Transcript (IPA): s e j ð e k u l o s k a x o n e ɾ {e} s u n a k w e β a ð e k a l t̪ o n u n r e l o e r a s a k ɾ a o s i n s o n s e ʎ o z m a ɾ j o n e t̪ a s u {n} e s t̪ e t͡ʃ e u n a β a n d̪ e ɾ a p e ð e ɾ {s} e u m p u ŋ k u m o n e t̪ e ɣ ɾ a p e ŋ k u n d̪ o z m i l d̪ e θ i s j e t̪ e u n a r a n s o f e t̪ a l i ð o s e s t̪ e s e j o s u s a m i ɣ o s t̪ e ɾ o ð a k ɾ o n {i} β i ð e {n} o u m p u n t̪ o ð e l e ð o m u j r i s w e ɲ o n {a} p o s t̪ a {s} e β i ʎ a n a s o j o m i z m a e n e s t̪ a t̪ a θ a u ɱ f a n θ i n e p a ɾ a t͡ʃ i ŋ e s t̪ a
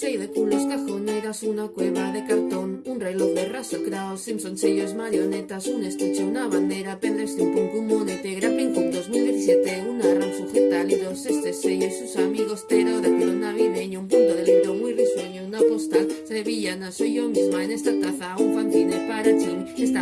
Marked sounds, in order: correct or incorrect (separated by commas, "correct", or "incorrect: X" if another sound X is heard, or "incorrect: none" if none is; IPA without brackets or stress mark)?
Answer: incorrect: a, correct, correct, incorrect: a, incorrect: ɲ, correct, correct